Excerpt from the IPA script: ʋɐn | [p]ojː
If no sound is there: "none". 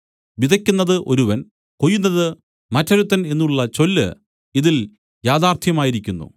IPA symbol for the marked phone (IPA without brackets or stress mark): k